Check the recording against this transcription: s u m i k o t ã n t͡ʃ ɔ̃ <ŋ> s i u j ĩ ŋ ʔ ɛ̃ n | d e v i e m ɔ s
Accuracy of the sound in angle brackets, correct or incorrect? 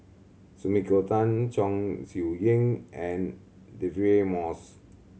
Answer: correct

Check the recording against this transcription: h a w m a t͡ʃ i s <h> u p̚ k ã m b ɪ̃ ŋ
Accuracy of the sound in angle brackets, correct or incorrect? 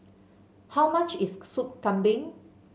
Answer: incorrect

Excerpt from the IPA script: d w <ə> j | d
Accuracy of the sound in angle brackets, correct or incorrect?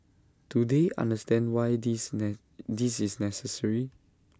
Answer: incorrect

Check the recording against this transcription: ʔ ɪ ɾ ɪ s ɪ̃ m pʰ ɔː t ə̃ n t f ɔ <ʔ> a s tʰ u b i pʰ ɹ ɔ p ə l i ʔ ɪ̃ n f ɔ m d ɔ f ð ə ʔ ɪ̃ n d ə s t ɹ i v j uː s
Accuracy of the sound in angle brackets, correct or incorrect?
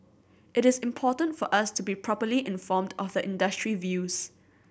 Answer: correct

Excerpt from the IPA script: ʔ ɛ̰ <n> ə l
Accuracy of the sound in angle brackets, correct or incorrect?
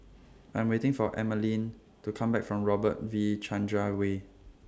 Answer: incorrect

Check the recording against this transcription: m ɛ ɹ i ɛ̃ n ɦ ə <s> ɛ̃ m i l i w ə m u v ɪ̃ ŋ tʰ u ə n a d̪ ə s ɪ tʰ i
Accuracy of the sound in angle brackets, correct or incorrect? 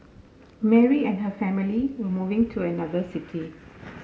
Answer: incorrect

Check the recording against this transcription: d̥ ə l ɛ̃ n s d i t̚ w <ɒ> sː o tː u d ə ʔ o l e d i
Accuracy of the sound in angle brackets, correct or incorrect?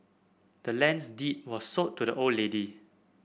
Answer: incorrect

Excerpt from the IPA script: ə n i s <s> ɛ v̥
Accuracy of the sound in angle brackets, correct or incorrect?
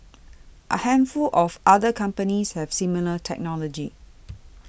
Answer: incorrect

